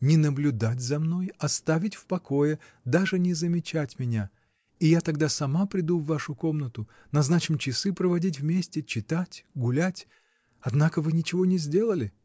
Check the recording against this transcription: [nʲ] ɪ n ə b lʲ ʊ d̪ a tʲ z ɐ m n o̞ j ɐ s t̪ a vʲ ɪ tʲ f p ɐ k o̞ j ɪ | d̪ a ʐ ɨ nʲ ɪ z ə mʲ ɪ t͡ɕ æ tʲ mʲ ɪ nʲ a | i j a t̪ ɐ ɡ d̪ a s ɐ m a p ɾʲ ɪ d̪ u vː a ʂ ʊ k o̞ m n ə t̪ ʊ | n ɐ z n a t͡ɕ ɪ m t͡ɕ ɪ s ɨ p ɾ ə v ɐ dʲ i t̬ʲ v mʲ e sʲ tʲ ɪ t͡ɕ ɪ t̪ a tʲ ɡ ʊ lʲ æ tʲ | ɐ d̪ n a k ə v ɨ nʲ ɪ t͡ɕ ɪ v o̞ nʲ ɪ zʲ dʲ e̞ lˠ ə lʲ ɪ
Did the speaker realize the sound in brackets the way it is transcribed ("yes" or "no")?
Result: yes